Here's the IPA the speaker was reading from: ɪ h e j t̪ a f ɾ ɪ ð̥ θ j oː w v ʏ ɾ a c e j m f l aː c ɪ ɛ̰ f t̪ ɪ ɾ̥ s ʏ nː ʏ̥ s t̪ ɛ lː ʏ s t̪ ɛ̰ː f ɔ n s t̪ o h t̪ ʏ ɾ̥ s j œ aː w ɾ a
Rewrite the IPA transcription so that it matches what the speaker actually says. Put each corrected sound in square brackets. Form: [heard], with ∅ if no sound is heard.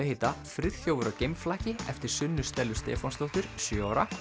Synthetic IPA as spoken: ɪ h e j t̪ a f ɾ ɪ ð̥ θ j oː w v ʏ ɾ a c e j m f l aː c ɪ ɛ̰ f t̪ ɪ ɾ̥ s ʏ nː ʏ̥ s t̪ ɛ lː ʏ s t̪ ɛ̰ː f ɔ n s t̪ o h t̪ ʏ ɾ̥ s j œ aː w ɾ a